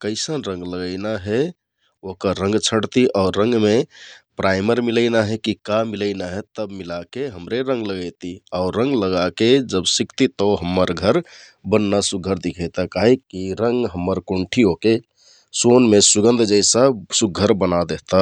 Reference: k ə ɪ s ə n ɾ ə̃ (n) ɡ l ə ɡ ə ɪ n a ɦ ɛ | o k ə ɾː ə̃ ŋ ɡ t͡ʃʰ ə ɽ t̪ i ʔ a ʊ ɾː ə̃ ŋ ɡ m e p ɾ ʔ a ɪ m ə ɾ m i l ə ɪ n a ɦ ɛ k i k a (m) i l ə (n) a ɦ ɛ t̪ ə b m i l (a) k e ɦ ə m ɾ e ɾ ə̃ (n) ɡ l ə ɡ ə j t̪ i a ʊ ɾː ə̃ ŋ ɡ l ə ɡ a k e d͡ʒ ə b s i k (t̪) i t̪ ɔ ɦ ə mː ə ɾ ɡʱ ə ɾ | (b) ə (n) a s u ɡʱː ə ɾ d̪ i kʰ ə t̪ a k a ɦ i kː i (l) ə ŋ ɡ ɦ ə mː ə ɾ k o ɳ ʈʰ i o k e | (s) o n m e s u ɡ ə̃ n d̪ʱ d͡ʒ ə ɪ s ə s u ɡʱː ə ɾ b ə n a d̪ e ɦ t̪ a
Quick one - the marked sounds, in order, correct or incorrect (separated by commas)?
incorrect, correct, correct, correct, incorrect, correct, correct, incorrect, incorrect, correct